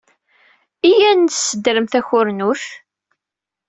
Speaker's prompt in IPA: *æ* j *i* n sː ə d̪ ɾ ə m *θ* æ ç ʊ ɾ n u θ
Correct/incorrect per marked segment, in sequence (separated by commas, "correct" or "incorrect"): incorrect, incorrect, correct